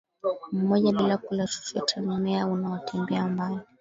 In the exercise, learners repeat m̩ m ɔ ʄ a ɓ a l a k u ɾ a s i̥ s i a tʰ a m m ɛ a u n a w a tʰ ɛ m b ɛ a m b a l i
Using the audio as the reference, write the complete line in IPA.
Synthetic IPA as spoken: m̩ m ɔ ʄ a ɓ i l a k u l a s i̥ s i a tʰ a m m ɛ a u n a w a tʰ ɛ m b ɛ a m b a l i